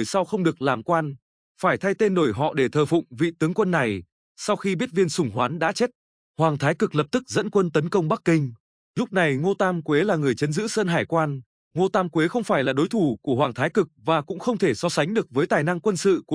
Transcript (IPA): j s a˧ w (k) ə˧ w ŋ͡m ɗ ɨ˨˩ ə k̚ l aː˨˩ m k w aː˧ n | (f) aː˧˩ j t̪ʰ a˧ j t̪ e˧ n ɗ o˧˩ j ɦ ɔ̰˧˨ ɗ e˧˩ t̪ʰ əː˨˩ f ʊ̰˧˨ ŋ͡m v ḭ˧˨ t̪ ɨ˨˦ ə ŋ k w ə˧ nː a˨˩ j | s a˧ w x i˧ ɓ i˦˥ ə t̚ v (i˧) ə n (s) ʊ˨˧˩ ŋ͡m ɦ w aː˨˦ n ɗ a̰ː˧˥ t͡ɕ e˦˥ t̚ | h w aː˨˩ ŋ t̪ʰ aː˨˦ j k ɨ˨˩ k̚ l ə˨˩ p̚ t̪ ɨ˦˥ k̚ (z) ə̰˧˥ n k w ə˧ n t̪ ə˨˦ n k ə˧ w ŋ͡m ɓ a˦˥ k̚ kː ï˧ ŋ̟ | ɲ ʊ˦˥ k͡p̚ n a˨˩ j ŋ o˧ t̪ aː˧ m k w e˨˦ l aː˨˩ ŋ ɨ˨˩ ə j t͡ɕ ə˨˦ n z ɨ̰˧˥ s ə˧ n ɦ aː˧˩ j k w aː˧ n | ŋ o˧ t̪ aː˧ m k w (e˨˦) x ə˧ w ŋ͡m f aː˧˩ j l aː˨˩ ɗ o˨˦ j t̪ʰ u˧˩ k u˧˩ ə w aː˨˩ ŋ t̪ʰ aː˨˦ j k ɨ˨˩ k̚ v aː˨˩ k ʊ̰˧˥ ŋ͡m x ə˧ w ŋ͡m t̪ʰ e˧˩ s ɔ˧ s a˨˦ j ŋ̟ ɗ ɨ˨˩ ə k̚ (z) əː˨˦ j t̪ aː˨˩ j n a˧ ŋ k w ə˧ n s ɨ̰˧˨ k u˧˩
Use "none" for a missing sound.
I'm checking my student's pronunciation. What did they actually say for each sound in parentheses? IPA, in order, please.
x, f, i˧, s, z, e˨˦, v

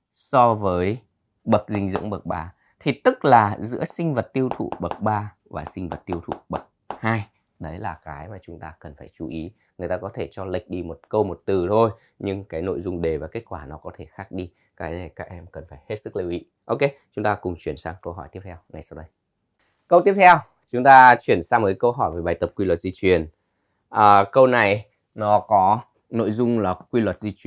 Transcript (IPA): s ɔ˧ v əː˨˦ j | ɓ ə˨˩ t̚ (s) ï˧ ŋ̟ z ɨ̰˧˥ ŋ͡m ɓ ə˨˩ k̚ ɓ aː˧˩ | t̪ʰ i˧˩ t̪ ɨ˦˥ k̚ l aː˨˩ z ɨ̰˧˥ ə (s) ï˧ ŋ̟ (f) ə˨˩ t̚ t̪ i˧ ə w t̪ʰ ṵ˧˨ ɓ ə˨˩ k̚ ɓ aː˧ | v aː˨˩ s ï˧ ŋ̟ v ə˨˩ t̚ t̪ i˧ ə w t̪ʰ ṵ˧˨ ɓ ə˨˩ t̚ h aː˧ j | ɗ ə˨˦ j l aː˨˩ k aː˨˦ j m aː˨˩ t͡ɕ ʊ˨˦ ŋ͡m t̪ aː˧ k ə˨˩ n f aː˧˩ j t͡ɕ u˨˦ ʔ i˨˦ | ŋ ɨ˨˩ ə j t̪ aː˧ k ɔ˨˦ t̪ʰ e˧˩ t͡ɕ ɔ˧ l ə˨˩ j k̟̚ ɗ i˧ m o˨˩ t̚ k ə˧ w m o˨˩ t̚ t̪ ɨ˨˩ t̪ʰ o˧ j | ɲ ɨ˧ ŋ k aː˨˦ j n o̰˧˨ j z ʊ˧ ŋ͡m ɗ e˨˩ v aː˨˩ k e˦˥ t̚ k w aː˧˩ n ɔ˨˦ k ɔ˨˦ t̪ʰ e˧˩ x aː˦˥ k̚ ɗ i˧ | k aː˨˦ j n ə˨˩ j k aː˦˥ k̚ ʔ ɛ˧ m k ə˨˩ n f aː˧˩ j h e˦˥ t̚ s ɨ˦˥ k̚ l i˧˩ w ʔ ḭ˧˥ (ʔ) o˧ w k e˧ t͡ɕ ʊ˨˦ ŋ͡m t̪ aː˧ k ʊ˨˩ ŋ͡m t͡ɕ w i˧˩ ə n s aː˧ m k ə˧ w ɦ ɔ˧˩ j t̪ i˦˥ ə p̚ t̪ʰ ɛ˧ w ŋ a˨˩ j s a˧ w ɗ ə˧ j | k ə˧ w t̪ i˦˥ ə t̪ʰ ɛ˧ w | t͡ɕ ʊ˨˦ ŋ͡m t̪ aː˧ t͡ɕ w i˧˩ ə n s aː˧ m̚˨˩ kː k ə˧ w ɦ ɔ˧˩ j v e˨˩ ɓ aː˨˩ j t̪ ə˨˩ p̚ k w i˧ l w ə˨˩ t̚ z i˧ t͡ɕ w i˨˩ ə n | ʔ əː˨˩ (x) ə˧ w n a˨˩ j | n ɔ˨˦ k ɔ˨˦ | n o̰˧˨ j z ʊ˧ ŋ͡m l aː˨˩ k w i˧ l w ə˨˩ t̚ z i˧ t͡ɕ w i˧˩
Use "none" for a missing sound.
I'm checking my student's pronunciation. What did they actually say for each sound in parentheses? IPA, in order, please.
z, s, v, ʔ, k

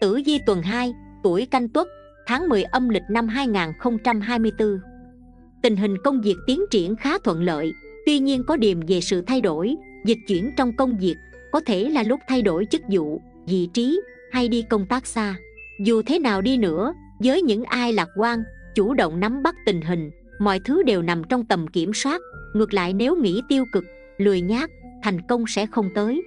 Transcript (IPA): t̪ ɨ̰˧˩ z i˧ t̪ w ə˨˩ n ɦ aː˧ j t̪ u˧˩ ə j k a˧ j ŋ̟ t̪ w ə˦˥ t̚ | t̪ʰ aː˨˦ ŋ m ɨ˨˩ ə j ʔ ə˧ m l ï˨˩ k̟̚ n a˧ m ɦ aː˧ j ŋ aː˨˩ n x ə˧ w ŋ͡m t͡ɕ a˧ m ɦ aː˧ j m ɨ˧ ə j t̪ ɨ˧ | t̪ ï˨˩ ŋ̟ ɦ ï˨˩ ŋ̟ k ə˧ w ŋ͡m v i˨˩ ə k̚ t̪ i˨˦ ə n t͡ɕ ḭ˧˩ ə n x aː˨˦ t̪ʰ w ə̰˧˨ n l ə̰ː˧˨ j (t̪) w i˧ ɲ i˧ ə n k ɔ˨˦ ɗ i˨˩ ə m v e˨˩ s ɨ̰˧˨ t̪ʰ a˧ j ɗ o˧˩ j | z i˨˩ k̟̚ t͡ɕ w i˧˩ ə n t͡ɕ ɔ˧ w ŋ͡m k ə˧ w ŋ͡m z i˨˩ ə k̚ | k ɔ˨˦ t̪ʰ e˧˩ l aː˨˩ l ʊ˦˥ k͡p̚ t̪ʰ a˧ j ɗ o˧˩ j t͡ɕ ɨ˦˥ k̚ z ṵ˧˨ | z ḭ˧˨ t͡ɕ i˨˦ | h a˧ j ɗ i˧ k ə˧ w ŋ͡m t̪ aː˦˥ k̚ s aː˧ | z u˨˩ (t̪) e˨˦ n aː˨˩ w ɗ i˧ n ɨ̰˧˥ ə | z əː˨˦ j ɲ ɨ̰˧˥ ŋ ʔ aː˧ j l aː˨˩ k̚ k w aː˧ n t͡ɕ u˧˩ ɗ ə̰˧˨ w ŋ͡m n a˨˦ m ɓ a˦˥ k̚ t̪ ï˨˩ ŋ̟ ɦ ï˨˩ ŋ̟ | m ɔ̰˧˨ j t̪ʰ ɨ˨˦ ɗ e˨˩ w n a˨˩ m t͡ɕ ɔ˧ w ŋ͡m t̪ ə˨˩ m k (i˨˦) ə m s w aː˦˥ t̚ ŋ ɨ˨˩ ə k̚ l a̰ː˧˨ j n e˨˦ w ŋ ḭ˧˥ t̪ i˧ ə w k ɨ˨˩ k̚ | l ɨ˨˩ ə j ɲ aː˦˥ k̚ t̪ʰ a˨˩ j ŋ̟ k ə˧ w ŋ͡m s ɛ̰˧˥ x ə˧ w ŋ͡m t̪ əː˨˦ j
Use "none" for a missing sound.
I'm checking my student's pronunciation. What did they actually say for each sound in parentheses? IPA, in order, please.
t̪, t̪ʰ, i˧˩

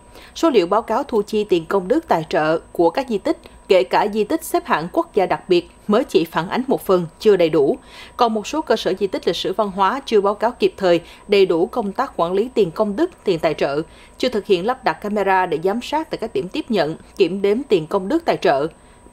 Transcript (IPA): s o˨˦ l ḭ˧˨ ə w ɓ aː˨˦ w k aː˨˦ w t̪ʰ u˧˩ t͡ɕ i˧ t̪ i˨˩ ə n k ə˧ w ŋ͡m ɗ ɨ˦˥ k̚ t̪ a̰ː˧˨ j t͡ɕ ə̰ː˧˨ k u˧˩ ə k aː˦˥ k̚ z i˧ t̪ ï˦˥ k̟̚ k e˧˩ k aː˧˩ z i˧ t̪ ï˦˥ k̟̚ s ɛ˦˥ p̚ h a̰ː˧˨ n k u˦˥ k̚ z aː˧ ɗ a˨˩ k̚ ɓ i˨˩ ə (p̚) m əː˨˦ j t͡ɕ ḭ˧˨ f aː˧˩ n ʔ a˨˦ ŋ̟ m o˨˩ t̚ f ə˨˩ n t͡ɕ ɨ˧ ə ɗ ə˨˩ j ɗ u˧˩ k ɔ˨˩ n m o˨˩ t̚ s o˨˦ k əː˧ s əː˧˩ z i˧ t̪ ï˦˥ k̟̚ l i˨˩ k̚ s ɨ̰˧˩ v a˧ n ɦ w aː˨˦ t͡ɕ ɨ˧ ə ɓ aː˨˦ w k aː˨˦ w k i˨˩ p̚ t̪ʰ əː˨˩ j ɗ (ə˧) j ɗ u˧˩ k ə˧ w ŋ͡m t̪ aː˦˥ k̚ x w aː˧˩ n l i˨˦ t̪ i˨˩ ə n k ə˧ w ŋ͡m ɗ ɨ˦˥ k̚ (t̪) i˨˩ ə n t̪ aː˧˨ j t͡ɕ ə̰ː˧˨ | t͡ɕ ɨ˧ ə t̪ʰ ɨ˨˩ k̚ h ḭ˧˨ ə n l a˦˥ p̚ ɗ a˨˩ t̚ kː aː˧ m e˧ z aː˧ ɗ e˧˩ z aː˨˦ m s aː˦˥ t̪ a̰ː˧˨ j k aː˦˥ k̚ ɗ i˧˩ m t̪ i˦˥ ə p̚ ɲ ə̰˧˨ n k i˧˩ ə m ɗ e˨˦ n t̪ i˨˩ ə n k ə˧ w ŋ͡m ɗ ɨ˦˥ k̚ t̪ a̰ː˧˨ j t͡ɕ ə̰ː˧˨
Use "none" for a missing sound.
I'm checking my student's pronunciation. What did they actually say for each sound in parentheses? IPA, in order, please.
t̚, ə˨˩, t̪

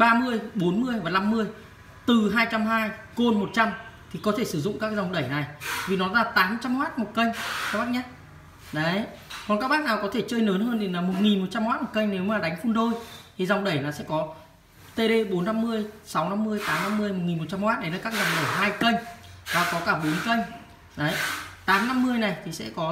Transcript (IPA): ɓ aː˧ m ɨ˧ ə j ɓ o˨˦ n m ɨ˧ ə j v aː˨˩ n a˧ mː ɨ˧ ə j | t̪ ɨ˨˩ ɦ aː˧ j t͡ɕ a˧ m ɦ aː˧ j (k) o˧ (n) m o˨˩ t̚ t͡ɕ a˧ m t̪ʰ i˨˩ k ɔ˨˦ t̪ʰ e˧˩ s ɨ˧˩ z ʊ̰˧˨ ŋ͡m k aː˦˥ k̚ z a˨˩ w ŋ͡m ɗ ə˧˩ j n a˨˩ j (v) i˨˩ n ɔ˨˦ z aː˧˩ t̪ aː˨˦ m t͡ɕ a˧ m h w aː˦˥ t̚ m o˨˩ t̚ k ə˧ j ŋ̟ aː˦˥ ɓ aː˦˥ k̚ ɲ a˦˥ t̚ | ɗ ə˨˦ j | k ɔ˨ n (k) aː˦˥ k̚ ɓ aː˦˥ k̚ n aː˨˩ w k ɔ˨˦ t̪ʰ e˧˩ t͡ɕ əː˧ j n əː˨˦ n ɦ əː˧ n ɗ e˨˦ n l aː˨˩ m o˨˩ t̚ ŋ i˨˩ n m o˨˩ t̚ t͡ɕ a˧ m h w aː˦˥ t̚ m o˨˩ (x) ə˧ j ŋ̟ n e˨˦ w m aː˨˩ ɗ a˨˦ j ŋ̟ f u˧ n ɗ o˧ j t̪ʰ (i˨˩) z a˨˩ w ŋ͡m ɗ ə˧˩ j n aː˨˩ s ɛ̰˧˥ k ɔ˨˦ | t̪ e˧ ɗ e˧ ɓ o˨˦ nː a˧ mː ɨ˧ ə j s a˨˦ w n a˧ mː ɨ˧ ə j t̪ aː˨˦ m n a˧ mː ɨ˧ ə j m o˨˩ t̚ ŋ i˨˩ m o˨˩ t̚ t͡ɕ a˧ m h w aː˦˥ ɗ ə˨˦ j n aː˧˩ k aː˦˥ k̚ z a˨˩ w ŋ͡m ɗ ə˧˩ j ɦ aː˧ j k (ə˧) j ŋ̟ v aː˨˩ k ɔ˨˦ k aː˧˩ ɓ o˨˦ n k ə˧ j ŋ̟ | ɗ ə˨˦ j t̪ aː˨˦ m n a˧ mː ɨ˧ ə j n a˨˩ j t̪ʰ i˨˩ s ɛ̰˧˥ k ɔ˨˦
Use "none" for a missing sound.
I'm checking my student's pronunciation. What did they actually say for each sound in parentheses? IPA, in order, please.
k, n, v, k, k, i˨˩, ə˧

